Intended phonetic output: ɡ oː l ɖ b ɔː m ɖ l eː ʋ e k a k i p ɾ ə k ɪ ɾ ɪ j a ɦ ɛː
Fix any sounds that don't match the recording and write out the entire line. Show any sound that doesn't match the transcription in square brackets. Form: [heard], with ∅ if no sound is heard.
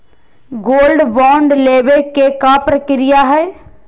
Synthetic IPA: ɡ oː l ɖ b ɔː [ɳ] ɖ l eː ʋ e k [e] k [a] p ɾ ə k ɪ ɾ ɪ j a ɦ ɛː